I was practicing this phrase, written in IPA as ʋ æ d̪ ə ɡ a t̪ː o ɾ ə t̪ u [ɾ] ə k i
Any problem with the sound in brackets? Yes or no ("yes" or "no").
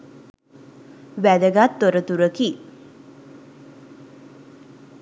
no